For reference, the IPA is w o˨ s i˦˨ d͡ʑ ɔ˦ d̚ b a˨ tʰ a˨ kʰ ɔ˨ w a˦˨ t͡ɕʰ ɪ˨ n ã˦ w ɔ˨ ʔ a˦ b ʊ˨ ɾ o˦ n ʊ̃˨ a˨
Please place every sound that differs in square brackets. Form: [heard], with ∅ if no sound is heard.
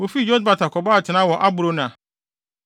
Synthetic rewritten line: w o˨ [f] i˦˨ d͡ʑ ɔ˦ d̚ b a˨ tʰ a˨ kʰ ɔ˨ [b] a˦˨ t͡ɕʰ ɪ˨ n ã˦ w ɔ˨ ʔ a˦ b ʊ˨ ɾ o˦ n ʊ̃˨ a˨